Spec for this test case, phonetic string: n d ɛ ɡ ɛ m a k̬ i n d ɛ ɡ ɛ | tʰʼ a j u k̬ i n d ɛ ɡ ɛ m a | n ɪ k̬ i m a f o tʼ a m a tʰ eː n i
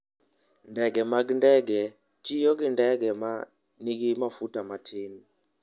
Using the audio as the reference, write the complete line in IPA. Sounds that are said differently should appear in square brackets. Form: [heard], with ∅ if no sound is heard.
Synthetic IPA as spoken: n d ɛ ɡ ɛ m a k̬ i n d ɛ ɡ ɛ | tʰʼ [i] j [ɔ] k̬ i n d ɛ ɡ ɛ m a | n [i] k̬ i m a f [u] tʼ a m a tʰ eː n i

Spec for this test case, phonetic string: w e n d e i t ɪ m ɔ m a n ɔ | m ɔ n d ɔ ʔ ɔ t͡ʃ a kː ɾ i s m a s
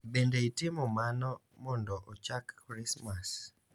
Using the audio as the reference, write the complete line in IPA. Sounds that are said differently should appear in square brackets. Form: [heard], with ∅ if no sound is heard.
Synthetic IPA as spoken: [b] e n d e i t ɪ m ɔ m a n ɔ | m ɔ n d ɔ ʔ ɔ t͡ʃ a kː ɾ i s m a s

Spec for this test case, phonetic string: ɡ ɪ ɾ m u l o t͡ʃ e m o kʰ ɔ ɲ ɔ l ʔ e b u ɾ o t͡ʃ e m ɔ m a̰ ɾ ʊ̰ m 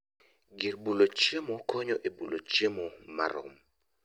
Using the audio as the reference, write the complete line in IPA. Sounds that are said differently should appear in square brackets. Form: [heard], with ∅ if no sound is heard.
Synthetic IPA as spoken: ɡ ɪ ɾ [b] u l o t͡ʃ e m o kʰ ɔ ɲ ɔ [∅] ʔ e b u [l] o t͡ʃ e m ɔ m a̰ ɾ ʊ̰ m

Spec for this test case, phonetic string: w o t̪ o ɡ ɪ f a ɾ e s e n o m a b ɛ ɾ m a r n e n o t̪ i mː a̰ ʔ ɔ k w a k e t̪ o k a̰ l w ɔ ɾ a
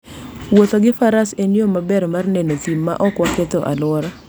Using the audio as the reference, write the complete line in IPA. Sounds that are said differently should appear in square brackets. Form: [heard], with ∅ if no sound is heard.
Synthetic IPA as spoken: w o t̪ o ɡ ɪ f a ɾ [a] s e n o m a b ɛ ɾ m a r n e n o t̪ i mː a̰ ʔ ɔ k w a k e t̪ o [ʔ] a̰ l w ɔ ɾ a

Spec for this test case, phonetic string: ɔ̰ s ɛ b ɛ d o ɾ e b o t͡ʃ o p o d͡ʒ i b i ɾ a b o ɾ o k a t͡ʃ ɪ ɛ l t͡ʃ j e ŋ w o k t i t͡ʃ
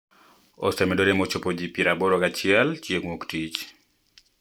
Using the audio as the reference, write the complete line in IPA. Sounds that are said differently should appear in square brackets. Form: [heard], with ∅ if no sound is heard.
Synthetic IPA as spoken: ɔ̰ s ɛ [m] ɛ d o ɾ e [m] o t͡ʃ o p o d͡ʒ i [p] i ɾ a b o ɾ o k a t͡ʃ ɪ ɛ l t͡ʃ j e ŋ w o k t i t͡ʃ

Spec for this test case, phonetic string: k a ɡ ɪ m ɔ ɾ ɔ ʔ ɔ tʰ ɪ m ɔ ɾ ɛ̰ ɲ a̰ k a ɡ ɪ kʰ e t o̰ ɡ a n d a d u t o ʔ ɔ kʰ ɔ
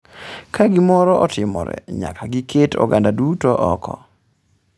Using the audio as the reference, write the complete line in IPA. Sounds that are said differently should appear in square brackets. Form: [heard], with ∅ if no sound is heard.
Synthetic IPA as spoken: k a ɡ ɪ m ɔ ɾ ɔ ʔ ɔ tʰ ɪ m ɔ ɾ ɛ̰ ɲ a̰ k a ɡ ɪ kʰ e t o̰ ɡ a n d a d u t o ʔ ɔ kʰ ɔ

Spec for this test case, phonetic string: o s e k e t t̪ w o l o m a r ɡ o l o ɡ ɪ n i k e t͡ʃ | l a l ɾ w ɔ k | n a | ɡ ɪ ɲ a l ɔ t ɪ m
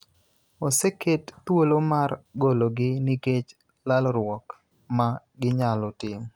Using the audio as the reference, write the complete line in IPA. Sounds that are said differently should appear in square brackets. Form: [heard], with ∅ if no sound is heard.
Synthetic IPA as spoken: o s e k e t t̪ w o l o m a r ɡ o l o ɡ ɪ n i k e t͡ʃ | l a l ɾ w ɔ k | [m] a | ɡ ɪ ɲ a l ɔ t ɪ m

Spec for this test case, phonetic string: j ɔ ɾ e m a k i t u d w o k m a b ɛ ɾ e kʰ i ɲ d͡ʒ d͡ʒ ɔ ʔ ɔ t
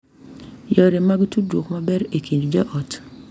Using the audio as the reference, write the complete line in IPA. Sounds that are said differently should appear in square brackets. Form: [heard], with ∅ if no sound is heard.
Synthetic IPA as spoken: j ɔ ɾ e m a [ɡ] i t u d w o k m a b ɛ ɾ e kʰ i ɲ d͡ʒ d͡ʒ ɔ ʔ ɔ t

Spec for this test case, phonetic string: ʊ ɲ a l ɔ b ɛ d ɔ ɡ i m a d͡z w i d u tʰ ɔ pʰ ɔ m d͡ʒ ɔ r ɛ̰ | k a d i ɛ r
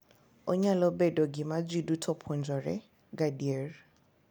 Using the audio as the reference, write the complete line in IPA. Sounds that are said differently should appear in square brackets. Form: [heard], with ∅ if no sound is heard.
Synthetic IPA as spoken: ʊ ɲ a l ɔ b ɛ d ɔ ɡ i m a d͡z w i d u tʰ ɔ pʰ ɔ [n] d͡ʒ ɔ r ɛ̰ | [ɡ] a d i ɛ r

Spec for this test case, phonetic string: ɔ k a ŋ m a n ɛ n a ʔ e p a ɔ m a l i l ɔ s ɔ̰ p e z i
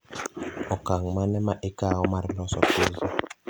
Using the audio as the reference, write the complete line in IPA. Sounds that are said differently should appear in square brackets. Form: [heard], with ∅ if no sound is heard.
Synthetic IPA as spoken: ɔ k a ŋ m a n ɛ [m] a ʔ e [k] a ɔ m a [ɾ] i l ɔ s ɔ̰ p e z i

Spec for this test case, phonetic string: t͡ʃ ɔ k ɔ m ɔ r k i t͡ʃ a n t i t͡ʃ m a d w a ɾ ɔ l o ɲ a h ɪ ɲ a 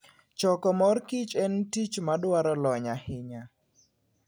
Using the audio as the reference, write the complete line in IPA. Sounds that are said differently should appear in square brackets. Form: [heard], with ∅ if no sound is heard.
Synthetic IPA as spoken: t͡ʃ ɔ k ɔ m ɔ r k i t͡ʃ [ɛ] n t i t͡ʃ m a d w a ɾ ɔ l [ɔ] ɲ a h ɪ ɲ a

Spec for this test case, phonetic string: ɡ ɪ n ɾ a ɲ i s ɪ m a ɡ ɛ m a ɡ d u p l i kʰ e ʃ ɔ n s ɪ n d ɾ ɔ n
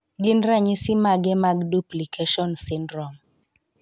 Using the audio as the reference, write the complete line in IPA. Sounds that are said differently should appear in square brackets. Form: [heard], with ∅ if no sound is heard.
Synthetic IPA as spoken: ɡ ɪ n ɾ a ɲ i s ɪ m a ɡ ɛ m a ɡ d u p l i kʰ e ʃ ɔ n s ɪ n d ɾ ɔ [m]

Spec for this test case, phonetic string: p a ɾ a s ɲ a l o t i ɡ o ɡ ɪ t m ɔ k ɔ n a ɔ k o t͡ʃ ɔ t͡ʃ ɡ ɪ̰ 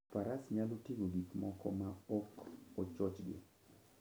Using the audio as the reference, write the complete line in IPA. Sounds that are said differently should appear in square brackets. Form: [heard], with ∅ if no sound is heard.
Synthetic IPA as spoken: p a ɾ a s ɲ a l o t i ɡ o ɡ [i] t m ɔ k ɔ [m] a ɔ k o t͡ʃ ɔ t͡ʃ ɡ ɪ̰

